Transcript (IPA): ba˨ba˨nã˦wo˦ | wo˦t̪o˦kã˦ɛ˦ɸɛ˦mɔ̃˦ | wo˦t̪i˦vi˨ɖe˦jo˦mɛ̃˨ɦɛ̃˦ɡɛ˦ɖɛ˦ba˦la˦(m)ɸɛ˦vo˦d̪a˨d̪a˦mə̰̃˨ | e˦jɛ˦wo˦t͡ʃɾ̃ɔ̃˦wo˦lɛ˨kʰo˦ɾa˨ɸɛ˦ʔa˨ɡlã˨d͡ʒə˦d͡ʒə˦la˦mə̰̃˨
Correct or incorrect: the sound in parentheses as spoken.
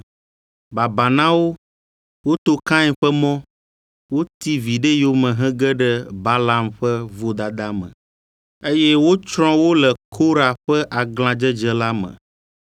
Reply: correct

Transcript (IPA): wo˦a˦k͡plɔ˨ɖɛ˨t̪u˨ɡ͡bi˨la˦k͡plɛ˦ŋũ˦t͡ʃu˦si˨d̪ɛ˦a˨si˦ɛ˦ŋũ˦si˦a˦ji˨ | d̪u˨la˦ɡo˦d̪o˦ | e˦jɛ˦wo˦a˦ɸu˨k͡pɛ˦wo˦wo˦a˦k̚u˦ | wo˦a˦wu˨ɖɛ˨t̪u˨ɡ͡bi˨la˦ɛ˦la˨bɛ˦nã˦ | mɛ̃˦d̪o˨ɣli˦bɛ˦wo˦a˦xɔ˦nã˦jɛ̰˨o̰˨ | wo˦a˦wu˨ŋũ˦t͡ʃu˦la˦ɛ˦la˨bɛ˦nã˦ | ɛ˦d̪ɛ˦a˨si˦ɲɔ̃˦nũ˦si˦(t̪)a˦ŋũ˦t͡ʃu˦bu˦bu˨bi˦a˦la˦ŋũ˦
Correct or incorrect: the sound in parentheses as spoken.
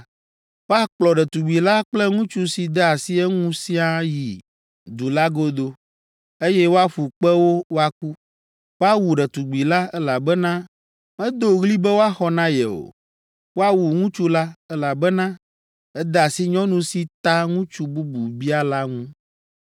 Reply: correct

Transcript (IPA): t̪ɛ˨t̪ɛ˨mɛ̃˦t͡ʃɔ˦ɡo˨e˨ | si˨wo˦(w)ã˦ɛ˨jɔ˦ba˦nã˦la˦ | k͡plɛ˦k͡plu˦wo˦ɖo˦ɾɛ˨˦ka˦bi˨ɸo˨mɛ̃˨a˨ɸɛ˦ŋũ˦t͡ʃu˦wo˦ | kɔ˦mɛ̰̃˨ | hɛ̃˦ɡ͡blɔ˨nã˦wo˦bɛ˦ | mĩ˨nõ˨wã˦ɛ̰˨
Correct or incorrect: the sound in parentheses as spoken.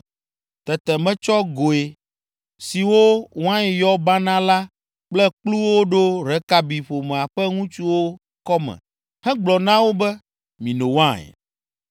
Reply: correct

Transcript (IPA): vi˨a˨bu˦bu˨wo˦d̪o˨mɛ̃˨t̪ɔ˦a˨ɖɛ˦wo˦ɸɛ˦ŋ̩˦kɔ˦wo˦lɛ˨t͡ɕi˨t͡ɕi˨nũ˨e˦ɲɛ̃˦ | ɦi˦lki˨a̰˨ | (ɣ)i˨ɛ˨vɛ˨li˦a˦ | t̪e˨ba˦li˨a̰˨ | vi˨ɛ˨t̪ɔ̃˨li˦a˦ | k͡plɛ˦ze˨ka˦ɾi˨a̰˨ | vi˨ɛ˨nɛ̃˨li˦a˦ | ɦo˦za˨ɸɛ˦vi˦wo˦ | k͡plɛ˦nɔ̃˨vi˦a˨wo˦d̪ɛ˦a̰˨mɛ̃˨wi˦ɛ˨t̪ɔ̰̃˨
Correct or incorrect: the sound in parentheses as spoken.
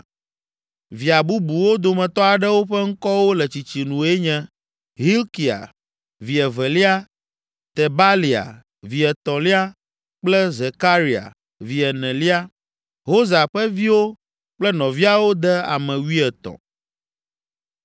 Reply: incorrect: v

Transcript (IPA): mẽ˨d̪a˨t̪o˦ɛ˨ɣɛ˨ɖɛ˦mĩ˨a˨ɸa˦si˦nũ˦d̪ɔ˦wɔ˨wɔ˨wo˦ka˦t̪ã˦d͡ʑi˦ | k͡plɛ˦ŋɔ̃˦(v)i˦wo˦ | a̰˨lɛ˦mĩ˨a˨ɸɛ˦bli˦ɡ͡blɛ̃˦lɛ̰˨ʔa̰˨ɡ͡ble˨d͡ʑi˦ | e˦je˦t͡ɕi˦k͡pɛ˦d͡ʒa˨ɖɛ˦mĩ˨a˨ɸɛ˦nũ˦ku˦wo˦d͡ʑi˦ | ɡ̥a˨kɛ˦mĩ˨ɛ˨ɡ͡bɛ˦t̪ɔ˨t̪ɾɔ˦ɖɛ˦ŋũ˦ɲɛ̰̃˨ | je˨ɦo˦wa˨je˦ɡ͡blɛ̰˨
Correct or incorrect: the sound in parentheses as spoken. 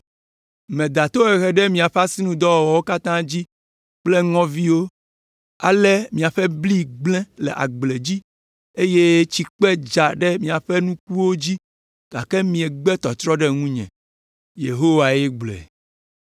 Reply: correct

